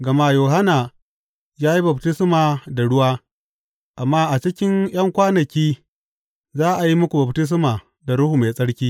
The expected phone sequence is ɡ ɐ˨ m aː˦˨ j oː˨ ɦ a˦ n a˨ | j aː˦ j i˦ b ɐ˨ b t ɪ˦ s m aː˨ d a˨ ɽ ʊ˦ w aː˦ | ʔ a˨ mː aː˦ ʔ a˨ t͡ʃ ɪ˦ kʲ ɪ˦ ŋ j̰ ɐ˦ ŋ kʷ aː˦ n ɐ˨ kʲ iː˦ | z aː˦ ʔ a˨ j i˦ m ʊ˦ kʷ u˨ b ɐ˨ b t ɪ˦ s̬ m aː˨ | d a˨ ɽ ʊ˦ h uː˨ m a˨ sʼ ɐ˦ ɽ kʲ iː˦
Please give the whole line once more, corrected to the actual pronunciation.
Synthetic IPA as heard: ɡ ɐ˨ m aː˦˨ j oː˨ ɦ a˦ n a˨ | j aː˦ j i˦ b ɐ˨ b t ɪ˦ s m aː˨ d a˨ ɽ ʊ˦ w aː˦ | ʔ a˨ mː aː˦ ʔ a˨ t͡ʃ ɪ˦ kʲ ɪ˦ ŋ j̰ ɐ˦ ŋ kʷ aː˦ n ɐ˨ kʲ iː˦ | z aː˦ ʔ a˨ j i˦ m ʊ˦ kʷ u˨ b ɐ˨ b t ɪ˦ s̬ m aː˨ | d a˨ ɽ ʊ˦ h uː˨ m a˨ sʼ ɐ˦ ɽ kʲ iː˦